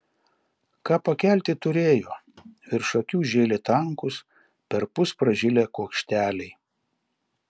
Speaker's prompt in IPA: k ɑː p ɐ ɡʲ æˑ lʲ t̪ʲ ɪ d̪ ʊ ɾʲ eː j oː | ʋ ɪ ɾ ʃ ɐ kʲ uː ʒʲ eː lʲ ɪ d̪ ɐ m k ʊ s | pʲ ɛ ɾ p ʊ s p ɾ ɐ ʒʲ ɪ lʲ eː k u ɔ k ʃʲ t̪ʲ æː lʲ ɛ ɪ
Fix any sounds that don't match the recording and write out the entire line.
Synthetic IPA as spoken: k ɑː p ɐ kʲ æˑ lʲ t̪ʲ ɪ t̪ ʊ ɾʲ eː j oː | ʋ ɪ ɾ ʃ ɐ kʲ uː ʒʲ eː lʲ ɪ t̪ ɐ ŋ k ʊ s | pʲ ɛ ɾ p ʊ s p ɾ ɐ ʒʲ ɪ lʲ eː k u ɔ k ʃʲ t̪ʲ æː lʲ ɛ ɪ